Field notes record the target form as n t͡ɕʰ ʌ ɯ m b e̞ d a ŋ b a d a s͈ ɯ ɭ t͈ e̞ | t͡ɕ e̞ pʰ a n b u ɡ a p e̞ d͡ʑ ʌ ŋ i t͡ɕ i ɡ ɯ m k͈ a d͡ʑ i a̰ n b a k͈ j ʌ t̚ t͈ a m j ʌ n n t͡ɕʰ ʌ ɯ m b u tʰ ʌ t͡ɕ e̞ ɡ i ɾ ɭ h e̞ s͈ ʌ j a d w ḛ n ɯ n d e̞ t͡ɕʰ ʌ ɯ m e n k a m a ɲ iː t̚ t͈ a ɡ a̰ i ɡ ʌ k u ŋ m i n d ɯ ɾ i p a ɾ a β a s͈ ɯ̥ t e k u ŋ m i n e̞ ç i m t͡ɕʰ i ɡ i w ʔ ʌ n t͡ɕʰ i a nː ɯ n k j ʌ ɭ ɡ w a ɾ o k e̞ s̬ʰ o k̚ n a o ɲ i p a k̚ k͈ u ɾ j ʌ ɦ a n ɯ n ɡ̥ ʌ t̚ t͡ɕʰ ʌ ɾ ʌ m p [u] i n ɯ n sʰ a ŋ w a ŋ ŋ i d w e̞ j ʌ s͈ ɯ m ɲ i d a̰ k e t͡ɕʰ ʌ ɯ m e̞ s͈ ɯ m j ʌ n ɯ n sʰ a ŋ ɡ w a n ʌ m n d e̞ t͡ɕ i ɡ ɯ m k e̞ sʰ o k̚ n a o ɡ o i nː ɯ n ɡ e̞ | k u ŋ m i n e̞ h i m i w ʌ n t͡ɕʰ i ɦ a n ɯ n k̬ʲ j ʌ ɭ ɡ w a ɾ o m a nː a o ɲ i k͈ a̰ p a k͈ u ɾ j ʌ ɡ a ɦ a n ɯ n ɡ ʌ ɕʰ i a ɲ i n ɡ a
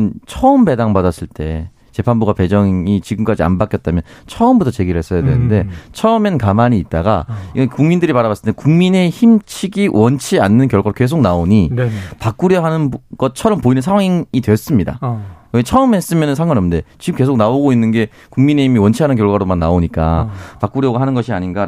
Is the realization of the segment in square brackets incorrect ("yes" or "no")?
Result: yes